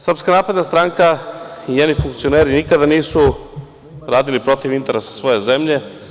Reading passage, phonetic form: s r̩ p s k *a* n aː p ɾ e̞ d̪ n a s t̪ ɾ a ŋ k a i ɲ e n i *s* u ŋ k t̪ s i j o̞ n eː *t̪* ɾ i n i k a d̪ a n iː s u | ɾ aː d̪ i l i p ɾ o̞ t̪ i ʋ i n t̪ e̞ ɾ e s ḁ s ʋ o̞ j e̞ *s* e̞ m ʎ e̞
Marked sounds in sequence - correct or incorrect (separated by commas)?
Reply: correct, incorrect, incorrect, incorrect